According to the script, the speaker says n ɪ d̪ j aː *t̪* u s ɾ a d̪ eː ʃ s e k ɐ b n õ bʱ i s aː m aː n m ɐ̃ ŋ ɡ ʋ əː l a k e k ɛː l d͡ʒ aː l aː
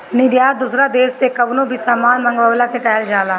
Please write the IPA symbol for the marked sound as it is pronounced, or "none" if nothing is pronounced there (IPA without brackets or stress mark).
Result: d̪